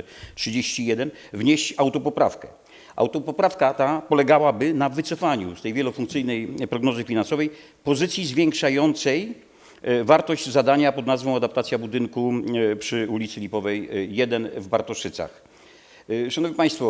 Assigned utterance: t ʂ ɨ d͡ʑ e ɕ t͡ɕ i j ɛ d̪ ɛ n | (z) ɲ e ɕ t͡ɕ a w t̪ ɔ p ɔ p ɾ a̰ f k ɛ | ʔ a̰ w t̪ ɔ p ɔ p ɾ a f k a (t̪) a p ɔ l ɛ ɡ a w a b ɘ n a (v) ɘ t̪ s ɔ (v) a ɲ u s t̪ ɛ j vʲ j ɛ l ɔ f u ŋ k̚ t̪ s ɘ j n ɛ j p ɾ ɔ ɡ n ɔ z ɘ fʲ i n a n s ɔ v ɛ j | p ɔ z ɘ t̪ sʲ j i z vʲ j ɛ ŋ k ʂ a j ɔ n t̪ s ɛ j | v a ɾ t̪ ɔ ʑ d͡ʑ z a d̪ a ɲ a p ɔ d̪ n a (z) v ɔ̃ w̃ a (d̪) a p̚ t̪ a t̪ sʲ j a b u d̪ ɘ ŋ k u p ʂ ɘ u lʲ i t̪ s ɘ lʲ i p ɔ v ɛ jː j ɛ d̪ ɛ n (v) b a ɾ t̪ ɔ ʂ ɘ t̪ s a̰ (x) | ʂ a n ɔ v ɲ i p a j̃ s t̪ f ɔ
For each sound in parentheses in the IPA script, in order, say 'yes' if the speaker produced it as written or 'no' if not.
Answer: no, yes, yes, no, yes, yes, yes, yes

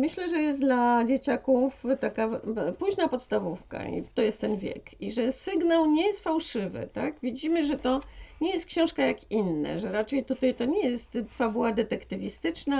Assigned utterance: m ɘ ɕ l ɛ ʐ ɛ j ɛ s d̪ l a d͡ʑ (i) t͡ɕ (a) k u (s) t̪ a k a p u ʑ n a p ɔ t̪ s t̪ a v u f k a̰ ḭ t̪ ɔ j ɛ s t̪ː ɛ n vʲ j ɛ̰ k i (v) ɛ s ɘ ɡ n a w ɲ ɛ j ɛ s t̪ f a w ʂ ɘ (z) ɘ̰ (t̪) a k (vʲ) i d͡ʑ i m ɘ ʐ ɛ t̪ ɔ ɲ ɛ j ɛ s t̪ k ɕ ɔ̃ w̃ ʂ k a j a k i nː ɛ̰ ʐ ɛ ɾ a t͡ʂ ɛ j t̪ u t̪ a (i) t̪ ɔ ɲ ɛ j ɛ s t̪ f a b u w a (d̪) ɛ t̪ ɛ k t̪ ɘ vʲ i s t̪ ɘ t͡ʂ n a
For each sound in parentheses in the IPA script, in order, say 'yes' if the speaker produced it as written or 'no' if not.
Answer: no, yes, no, no, no, yes, yes, no, yes

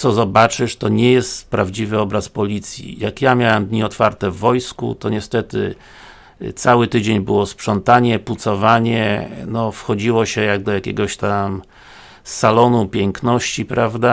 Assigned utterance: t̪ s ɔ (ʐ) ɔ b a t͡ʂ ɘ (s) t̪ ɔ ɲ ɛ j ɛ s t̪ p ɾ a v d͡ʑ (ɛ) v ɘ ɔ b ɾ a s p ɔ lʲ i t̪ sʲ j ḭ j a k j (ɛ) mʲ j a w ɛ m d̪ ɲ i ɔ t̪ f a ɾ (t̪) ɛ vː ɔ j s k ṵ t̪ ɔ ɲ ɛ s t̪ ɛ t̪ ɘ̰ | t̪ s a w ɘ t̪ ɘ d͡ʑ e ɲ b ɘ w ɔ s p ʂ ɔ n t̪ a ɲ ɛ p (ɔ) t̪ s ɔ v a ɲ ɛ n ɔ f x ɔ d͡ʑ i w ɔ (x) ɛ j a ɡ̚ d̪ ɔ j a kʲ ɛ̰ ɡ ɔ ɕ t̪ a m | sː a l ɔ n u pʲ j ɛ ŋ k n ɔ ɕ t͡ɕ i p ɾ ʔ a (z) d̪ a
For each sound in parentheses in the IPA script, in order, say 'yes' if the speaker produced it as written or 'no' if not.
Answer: no, no, no, no, yes, no, no, no

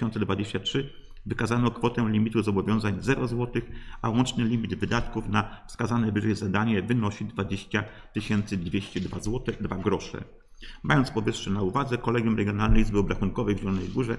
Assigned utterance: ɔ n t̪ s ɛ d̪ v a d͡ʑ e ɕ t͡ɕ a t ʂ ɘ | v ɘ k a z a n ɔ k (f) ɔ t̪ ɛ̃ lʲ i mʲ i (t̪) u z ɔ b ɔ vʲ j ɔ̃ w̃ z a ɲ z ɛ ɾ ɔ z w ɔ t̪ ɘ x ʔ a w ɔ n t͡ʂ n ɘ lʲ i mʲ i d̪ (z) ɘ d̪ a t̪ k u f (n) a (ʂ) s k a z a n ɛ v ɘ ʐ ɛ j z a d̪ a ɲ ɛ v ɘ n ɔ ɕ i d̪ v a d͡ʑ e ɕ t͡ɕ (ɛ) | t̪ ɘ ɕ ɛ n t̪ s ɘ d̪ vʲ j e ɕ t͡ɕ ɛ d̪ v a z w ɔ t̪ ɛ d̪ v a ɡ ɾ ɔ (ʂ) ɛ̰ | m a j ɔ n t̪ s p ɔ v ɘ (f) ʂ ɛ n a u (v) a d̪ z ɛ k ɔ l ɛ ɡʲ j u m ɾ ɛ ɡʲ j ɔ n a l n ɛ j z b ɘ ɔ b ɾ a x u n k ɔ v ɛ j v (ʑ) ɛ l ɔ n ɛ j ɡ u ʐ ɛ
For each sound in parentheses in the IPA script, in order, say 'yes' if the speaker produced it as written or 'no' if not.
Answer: yes, yes, no, yes, no, no, yes, no, yes, yes

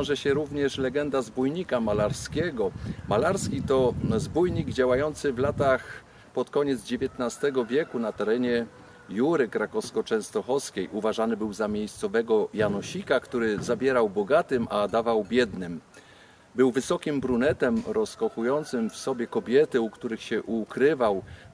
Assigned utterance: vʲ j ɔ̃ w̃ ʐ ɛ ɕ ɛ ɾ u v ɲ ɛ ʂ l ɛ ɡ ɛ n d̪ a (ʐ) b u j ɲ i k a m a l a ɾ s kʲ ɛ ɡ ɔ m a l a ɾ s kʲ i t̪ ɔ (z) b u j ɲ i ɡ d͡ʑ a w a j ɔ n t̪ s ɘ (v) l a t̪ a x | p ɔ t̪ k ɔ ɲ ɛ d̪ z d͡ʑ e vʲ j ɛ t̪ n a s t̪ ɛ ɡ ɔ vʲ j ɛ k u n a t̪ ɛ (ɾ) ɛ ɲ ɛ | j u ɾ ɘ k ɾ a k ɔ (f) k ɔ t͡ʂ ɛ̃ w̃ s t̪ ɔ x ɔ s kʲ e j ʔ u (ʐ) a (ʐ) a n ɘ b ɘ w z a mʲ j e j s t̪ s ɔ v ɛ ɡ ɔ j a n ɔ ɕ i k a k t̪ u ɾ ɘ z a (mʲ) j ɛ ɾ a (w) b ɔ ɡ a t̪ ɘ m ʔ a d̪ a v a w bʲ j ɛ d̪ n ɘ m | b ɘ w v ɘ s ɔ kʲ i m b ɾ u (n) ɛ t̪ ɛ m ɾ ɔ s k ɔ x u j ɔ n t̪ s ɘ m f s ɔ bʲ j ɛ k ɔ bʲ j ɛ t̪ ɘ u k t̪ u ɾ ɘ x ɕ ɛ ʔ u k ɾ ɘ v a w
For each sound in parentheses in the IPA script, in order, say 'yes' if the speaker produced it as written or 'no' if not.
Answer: no, yes, yes, yes, no, no, yes, no, yes, yes

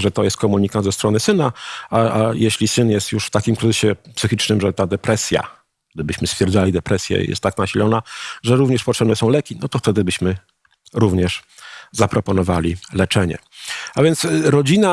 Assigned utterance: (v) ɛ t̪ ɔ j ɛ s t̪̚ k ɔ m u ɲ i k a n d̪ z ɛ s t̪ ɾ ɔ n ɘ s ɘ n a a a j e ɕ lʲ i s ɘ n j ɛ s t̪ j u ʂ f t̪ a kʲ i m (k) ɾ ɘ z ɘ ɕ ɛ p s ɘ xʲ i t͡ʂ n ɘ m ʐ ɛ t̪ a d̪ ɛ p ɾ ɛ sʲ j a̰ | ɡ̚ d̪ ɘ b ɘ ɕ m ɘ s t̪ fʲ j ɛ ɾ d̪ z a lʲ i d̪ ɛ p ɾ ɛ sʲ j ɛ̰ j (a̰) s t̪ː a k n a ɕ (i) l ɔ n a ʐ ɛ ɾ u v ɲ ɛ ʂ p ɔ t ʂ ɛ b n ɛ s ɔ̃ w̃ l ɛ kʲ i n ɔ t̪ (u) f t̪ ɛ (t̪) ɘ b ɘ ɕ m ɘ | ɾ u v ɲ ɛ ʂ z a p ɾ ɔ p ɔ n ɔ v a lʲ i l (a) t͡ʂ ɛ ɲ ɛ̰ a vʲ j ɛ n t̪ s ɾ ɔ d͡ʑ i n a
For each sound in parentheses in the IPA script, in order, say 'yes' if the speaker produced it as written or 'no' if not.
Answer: no, yes, no, yes, no, no, no

